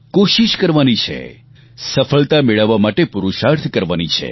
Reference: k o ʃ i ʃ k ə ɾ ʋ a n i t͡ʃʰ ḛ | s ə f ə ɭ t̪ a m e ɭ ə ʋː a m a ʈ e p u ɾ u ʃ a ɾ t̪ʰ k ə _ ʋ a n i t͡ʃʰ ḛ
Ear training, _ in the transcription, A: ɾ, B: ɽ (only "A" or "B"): A